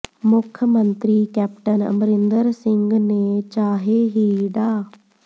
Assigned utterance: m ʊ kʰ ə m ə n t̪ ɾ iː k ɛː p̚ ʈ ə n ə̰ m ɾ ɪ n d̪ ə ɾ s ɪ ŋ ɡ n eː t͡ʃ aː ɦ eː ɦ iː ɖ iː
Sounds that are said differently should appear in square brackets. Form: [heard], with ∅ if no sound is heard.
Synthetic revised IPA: m ʊ kʰ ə m ə n t̪ ɾ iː k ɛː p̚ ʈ ə n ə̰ m ɾ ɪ n d̪ ə ɾ s ɪ ŋ ɡ n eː t͡ʃ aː ɦ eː ɦ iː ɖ [aː]